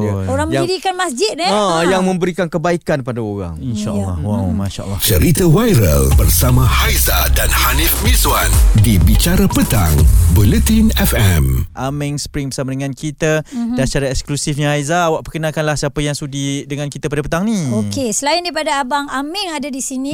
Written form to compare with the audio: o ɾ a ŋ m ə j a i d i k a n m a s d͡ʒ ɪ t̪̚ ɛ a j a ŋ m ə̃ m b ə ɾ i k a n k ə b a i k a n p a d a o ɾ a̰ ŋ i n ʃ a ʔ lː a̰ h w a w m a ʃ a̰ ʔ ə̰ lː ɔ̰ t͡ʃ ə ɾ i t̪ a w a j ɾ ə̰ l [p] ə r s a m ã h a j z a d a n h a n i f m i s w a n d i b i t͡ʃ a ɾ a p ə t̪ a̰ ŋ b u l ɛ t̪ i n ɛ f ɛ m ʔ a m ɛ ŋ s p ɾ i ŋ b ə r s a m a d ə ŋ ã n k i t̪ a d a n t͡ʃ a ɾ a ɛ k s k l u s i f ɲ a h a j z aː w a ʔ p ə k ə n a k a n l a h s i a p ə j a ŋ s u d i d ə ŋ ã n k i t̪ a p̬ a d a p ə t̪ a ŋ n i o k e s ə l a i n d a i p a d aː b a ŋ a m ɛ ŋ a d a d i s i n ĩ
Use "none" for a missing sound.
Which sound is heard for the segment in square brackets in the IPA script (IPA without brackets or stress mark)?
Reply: b